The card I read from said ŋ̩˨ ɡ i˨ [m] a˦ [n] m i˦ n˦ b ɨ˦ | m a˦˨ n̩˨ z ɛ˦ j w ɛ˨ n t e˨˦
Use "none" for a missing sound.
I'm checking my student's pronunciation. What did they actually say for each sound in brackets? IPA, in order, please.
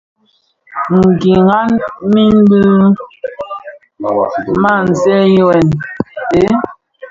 ŋ, n

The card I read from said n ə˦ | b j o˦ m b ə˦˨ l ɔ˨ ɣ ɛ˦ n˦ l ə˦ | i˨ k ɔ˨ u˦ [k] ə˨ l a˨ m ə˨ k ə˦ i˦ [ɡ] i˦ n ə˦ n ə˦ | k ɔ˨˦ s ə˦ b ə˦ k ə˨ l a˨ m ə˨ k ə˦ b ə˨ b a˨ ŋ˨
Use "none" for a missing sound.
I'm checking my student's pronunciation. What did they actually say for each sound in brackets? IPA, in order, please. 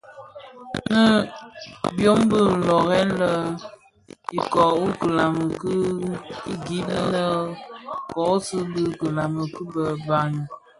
k, ɡ

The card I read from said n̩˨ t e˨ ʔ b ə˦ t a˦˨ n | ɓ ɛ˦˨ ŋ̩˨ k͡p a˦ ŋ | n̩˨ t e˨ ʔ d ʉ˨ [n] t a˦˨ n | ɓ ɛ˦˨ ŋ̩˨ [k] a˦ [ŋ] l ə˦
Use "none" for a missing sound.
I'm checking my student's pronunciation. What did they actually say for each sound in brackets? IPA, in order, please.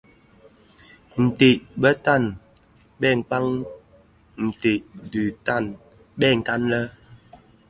none, k, n

